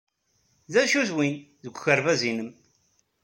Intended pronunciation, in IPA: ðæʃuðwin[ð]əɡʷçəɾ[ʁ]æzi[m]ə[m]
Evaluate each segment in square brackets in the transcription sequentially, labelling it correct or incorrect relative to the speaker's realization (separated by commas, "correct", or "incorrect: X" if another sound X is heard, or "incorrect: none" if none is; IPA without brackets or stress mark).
correct, incorrect: v, incorrect: n, correct